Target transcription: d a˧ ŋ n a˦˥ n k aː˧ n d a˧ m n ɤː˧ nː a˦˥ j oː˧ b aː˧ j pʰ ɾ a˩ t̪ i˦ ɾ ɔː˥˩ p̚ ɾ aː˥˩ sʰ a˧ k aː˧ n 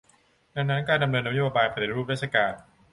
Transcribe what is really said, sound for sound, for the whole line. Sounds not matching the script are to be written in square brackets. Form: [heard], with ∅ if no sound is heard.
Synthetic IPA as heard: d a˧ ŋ n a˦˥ n k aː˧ n d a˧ m n ɤː˧ nː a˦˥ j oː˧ b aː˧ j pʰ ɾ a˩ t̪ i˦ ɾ [uː˥˩] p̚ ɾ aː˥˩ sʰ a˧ k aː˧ n